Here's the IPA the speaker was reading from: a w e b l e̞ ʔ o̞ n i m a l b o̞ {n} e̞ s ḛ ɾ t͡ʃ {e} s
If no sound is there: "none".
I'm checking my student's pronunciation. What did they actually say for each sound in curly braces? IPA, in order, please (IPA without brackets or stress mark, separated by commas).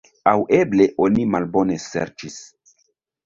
n, i